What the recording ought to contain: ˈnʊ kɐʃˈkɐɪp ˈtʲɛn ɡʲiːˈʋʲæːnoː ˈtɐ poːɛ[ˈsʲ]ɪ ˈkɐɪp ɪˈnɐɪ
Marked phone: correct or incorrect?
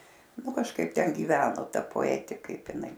incorrect